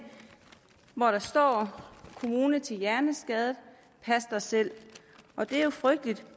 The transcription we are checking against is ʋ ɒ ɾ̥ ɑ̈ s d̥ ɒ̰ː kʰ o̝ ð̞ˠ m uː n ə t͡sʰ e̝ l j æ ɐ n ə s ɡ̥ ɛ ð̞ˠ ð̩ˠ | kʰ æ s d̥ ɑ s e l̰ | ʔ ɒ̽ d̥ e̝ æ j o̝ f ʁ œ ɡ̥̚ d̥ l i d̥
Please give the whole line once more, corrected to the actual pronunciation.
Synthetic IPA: ʋ ɒ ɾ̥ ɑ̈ s d̥ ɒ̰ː kʰ o̝ m uː n ə t͡sʰ e̝ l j æ ɐ n ə s ɡ̥ ɛ ð̞ˠ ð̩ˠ | pʰ æ s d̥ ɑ s e l̰ | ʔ ɒ̽ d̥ e̝ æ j o̝ f ʁ œ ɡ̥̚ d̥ l i d̥